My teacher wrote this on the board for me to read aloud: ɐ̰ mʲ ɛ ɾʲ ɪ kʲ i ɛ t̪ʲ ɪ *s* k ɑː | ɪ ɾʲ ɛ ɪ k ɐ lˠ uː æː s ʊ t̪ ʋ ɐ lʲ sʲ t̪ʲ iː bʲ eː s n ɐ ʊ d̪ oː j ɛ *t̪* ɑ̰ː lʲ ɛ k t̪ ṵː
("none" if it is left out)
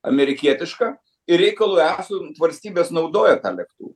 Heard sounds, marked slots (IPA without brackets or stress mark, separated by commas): ʃ, t̪